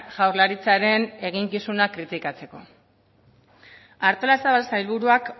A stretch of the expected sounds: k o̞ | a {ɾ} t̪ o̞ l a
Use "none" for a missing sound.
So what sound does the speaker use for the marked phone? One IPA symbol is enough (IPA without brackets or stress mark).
ɾ